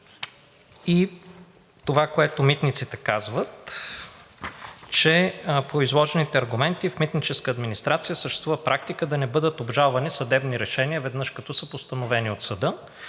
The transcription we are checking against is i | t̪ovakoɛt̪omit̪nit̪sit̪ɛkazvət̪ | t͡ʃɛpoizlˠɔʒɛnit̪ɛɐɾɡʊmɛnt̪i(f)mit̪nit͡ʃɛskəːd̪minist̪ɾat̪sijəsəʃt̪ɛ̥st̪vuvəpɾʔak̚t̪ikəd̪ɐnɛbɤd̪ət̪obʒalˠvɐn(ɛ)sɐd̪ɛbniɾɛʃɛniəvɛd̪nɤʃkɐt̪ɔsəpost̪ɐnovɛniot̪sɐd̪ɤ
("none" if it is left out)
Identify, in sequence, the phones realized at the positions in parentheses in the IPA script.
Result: f, i

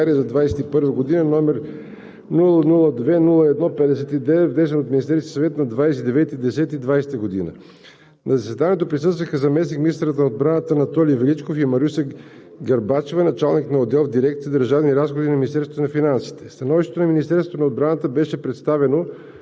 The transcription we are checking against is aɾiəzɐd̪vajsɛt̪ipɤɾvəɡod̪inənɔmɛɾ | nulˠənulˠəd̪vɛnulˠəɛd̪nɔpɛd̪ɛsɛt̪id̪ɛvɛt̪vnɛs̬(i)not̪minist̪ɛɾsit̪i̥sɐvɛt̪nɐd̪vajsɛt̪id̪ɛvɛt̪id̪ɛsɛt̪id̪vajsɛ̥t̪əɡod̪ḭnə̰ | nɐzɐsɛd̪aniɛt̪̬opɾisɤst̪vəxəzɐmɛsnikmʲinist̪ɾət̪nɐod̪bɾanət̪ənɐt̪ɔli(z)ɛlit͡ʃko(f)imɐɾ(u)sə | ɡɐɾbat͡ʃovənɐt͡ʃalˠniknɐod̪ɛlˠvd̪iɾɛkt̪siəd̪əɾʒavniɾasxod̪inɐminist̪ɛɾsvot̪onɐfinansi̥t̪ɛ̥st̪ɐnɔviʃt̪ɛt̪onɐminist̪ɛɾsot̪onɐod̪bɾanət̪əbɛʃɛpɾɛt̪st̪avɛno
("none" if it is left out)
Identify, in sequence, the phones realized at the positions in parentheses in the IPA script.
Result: ɛ, v, f, u

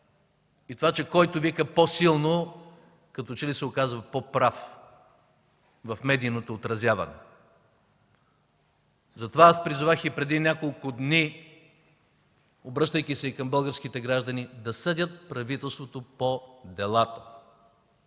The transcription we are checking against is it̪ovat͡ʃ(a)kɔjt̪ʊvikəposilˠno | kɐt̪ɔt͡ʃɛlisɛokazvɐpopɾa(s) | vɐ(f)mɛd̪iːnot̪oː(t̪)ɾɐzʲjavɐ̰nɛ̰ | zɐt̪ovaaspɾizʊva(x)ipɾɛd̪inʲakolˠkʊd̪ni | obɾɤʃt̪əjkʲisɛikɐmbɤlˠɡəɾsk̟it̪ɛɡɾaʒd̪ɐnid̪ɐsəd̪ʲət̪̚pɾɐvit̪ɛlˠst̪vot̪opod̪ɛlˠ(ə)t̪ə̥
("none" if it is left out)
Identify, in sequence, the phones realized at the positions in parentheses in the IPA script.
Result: ɛ, f, f, t̪, x, a

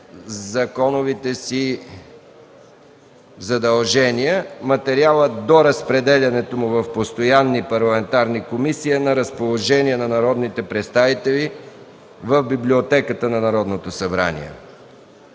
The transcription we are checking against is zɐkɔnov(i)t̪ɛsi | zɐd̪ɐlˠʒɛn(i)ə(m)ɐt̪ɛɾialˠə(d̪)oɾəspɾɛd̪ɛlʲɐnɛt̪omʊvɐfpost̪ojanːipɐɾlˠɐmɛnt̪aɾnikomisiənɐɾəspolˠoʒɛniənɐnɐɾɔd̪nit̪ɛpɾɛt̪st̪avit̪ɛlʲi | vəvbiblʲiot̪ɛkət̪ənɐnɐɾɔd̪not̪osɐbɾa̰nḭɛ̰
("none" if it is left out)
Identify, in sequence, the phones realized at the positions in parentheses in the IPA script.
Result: i, i, m, d̪

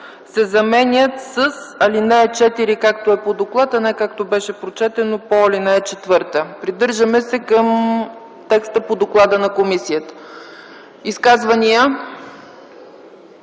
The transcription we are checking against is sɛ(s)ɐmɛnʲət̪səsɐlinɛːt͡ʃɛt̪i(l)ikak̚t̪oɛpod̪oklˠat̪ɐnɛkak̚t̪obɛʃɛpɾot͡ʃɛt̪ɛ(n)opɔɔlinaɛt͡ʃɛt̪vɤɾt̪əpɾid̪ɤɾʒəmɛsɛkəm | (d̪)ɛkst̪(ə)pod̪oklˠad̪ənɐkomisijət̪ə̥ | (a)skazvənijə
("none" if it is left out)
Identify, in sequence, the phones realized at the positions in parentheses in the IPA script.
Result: z, ɾ, n, t̪, ə, i

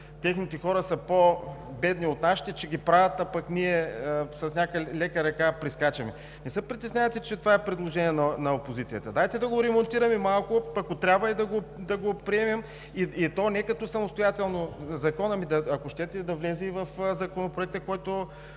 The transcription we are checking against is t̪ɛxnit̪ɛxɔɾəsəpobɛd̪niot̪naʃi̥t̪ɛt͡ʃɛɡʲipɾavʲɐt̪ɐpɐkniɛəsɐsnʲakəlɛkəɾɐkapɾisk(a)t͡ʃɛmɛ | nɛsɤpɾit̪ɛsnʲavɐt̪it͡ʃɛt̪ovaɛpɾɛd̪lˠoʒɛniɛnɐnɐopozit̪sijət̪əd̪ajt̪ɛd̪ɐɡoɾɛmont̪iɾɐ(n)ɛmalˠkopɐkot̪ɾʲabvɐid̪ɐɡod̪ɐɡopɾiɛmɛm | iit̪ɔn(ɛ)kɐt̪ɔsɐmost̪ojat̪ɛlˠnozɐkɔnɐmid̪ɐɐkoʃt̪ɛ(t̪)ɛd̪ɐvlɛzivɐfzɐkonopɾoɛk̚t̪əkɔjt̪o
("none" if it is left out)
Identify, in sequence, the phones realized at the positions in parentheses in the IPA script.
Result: a, m, ɛ, t̪

